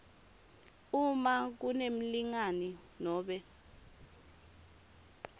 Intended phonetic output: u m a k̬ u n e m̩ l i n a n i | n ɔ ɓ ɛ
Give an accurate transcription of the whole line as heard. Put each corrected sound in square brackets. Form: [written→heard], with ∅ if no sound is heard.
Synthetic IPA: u m a k̬ u n e m̩ l i [n→ŋ] a n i | n [ɔ→ɔː] ɓ ɛ